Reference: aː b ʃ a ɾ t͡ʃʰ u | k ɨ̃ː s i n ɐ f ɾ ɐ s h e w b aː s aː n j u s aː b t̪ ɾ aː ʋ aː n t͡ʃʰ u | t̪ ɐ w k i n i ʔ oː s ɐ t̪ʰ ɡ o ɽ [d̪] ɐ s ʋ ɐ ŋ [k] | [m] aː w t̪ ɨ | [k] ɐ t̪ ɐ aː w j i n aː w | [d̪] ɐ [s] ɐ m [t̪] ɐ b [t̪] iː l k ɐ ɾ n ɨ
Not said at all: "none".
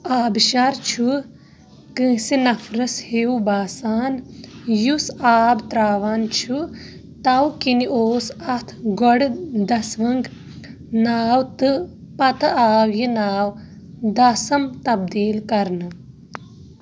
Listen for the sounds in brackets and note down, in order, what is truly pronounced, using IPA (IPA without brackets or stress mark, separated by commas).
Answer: d̪, ɡ, n, p, d̪, s, t̪, d̪